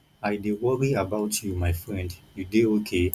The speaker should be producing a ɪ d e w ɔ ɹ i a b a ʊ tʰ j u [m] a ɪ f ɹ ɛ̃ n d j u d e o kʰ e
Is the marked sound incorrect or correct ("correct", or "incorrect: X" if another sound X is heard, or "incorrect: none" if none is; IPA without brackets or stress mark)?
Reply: correct